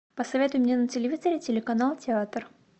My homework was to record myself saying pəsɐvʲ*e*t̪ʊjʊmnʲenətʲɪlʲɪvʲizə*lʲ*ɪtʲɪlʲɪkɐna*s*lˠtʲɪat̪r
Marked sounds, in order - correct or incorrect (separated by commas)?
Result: correct, incorrect, incorrect